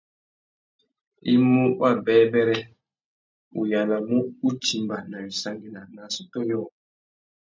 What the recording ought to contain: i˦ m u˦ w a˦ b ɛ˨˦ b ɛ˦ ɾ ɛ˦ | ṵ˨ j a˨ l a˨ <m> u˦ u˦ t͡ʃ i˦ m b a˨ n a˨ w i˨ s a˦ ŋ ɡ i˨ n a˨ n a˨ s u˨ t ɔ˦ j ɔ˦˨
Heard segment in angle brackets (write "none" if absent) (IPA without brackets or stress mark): m